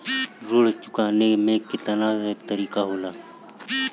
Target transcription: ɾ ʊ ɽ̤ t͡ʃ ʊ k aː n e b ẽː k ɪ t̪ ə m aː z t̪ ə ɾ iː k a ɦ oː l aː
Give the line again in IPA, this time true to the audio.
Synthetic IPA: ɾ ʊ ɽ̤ t͡ʃ ʊ k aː n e m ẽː k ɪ t̪ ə n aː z t̪ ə ɾ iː k a ɦ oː l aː